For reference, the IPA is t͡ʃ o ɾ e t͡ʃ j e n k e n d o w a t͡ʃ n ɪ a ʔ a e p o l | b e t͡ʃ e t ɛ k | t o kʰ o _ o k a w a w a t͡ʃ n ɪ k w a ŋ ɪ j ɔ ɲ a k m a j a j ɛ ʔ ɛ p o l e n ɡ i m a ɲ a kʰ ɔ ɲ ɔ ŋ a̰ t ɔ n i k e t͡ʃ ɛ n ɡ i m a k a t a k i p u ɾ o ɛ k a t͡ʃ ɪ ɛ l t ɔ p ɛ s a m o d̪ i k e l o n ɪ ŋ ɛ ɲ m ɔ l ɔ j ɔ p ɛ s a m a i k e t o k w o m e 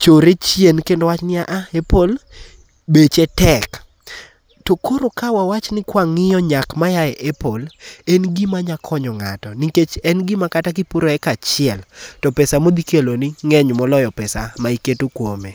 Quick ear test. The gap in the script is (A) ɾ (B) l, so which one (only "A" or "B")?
A